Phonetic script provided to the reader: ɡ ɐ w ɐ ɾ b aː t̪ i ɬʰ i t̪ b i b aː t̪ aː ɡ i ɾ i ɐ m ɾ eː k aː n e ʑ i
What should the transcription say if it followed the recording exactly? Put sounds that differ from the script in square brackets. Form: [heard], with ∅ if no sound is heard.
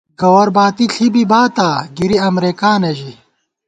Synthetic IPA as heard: ɡ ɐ w ɐ ɾ b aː t̪ i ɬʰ i [∅] b i b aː t̪ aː ɡ i ɾ i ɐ m ɾ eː k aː n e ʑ i

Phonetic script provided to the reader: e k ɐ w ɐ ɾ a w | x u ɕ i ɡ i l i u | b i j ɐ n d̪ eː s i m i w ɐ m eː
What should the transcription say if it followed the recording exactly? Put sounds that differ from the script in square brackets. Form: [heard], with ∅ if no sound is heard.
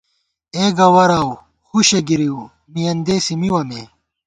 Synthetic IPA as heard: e [ɡ] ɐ w ɐ ɾ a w | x u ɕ [e] ɡ i [ɾ] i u | [m] i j ɐ n d̪ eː s i m i w ɐ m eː

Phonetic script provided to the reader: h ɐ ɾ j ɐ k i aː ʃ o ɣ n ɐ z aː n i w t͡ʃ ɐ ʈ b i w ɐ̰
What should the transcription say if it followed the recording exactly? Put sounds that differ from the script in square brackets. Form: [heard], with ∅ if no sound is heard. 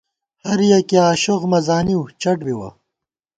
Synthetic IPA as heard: h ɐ ɾ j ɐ k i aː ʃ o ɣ [m] ɐ z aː n i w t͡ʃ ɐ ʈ b i w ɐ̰

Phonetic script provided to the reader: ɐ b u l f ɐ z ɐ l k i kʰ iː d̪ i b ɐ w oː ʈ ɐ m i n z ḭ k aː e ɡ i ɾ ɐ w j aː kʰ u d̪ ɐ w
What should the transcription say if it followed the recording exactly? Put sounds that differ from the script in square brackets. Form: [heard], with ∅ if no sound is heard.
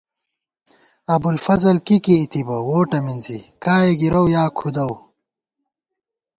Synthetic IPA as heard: ɐ b u l f ɐ z ɐ l k i [k] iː [t̪] i b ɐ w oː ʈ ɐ m i n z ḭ k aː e ɡ i ɾ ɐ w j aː kʰ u d̪ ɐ w

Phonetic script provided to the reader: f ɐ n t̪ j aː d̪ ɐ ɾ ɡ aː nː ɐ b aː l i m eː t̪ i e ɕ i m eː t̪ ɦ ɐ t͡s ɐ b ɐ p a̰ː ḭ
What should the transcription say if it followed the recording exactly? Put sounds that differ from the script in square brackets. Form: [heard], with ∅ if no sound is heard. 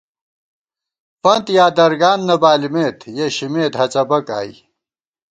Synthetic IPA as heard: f ɐ n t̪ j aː d̪ ɐ ɾ ɡ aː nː ɐ b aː l i m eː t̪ [j] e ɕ i m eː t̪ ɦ ɐ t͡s ɐ b ɐ [k] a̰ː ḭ

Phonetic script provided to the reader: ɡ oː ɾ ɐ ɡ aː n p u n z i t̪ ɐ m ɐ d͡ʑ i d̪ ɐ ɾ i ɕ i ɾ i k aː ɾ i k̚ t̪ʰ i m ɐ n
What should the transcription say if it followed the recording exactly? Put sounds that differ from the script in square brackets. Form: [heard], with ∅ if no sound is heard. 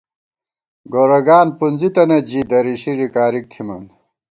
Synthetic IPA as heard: ɡ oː ɾ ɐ ɡ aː n p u n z i t̪ ɐ [n] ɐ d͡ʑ i d̪ ɐ ɾ i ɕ i ɾ i k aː ɾ i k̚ t̪ʰ i m ɐ n

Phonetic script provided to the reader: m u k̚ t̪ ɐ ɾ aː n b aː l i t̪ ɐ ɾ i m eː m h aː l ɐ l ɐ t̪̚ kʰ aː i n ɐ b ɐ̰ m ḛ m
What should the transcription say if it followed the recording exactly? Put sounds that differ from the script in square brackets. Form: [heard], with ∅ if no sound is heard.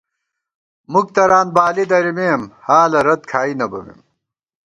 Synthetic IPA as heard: m u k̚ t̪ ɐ ɾ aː n b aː l i [d̪] ɐ ɾ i m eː m h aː l ɐ [ɾ] ɐ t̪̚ kʰ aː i n ɐ b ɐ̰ m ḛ m

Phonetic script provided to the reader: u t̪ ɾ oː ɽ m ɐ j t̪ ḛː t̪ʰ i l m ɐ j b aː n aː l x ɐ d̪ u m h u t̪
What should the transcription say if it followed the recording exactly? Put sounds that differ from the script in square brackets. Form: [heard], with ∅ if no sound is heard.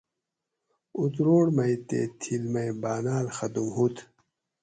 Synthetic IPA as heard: u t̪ ɾ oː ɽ m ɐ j t̪ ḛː t̪ʰ i l m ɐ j b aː n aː l x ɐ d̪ u m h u t̪

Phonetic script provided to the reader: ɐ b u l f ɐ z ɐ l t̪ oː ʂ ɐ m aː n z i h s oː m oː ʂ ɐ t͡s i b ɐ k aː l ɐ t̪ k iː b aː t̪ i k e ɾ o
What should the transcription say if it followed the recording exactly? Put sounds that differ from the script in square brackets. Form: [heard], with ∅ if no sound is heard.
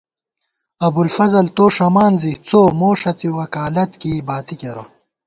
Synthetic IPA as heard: ɐ b u l f ɐ z ɐ l t̪ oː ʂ ɐ m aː n z i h [t͡s] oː m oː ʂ ɐ t͡s i [w] ɐ k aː l ɐ t̪ k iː b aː t̪ i k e ɾ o

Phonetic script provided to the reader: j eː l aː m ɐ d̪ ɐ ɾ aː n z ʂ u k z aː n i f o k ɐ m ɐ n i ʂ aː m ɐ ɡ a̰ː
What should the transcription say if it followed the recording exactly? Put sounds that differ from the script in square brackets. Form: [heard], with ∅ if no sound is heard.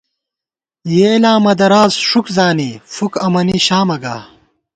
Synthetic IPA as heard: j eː l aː m ɐ d̪ ɐ ɾ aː [∅] z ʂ u k z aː n i f [u] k ɐ m ɐ n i [ɕ] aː m ɐ ɡ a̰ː

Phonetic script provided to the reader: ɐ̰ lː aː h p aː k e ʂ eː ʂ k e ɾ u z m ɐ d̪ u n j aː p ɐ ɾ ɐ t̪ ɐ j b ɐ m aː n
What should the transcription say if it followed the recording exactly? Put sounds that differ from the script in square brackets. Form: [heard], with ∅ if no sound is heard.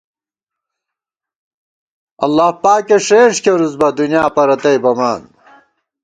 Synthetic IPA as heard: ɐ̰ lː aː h p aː k e ʂ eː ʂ k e ɾ u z [b] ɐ d̪ u n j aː p ɐ ɾ ɐ t̪ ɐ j b ɐ m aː n

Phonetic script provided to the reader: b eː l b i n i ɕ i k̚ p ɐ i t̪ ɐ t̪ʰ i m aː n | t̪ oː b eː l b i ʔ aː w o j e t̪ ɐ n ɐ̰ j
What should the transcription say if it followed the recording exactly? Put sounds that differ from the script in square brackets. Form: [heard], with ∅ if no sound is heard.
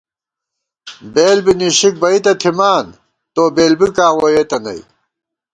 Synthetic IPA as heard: b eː l b i n i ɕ i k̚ [b] ɐ i t̪ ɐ t̪ʰ i m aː n | t̪ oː b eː l b i [k] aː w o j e t̪ ɐ n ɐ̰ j

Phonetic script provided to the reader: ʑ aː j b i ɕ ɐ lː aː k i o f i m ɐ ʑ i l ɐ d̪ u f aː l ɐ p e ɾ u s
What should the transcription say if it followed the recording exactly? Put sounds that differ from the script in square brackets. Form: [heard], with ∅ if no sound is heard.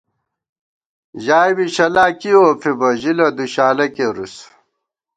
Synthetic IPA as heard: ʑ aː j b i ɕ ɐ [l] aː k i o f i [b] ɐ ʑ i l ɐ d̪ u [ɕ] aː l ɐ [k] e ɾ u s

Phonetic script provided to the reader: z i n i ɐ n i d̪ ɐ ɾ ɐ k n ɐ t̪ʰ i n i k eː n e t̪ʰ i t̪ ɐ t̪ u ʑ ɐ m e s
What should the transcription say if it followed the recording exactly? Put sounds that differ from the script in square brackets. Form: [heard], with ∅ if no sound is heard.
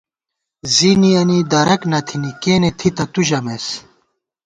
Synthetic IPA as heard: z i n i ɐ n i d̪ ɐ ɾ ɐ k n ɐ t̪ʰ i n i k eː n e t̪ʰ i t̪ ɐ t̪ u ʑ ɐ m e s

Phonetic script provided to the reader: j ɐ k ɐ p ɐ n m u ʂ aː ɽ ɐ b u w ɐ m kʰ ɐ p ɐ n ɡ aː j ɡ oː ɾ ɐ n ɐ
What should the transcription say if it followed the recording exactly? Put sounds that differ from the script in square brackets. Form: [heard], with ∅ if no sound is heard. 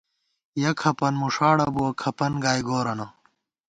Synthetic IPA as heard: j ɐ [kʰ] ɐ p ɐ n m u ʂ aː ɽ ɐ b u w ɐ [∅] kʰ ɐ p ɐ n ɡ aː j ɡ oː ɾ ɐ n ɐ

